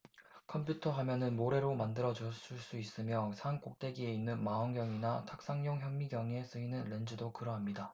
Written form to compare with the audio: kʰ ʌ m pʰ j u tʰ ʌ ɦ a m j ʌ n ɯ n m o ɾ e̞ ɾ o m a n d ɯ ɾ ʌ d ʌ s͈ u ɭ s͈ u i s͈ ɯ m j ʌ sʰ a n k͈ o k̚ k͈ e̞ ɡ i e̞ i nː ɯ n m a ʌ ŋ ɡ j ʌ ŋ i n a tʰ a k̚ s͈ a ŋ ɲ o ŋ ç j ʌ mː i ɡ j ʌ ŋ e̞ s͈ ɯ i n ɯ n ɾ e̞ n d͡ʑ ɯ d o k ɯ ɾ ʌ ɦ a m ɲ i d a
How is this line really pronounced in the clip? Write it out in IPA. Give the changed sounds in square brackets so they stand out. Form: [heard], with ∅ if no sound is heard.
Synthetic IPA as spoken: kʰ ʌ m pʰ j u tʰ ʌ ɦ a m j ʌ n ɯ n m o ɾ e̞ ɾ o m a n d ɯ ɾ ʌ [d͡ʑ] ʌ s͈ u ɭ s͈ u i s͈ ɯ m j ʌ sʰ a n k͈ o k̚ [t͈] e̞ ɡ i e̞ i nː ɯ n m a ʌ ŋ ɡ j ʌ ŋ i n a tʰ a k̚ s͈ a ŋ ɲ o ŋ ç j ʌ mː i ɡ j ʌ ŋ e̞ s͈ ɯ i n ɯ n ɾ e̞ n d͡ʑ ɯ d o k ɯ ɾ ʌ ɦ a m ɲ i d a